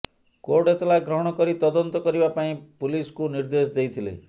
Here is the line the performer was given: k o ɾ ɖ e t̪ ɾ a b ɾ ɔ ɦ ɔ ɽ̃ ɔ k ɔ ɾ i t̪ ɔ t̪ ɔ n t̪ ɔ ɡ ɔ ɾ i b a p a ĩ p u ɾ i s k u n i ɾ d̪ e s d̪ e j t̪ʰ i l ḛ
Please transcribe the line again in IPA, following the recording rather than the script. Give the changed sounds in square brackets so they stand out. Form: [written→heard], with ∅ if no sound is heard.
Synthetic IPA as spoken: k o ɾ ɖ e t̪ [ɾ→l] a [b→ɡ] ɾ ɔ ɦ ɔ ɽ̃ ɔ k ɔ ɾ i t̪ ɔ [t̪→d̪] ɔ n t̪ ɔ [ɡ→k] ɔ ɾ i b a p a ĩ p u [ɾ→l] i s k u n i ɾ d̪ e s d̪ e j t̪ʰ i l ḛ